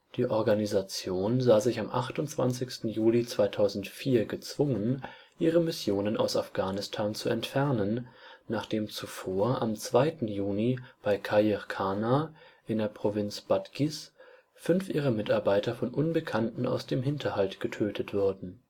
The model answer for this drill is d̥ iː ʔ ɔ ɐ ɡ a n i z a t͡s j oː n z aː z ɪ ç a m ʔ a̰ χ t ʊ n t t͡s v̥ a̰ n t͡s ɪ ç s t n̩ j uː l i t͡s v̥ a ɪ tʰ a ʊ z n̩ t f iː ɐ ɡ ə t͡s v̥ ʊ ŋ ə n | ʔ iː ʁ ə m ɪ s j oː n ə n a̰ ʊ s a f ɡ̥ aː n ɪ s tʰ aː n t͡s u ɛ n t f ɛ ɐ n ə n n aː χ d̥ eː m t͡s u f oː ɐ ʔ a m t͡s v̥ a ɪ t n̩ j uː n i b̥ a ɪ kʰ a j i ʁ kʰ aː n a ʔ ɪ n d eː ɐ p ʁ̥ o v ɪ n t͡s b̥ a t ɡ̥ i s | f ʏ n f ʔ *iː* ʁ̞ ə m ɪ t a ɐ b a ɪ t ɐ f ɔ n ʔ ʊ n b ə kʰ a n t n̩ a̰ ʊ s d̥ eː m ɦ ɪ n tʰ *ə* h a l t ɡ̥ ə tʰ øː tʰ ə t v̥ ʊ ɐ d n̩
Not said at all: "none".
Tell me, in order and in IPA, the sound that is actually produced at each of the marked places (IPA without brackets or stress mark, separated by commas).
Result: iː, ɐ